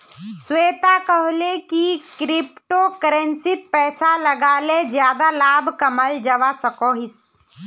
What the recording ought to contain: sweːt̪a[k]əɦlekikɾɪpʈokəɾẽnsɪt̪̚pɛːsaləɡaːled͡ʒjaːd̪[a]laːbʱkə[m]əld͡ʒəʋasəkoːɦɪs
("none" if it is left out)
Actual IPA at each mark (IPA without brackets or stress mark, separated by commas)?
k, a, m